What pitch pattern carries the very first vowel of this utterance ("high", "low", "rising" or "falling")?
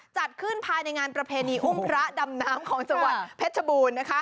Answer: low